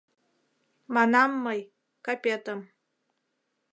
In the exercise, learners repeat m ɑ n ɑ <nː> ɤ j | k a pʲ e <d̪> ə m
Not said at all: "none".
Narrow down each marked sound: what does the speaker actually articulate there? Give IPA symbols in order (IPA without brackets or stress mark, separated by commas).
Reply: mː, t̪